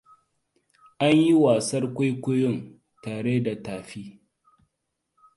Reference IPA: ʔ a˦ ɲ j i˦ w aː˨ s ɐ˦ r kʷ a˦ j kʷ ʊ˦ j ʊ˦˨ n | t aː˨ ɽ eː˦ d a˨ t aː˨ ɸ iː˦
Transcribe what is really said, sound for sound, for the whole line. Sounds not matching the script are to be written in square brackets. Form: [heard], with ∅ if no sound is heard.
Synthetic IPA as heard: ʔ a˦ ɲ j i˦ w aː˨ s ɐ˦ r kʷ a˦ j kʷ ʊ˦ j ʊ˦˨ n | t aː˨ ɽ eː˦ d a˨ t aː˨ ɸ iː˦